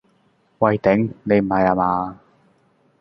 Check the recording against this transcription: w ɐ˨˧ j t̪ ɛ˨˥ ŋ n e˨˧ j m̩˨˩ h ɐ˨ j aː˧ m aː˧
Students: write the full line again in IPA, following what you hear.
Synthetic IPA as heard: w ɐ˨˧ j t̪ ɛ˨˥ ŋ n e˨˧ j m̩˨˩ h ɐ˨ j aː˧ m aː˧